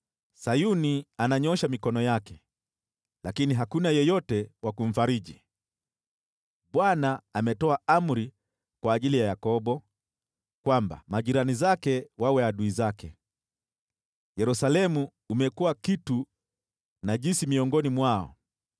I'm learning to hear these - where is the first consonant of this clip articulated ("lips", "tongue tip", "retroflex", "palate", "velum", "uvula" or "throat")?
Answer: tongue tip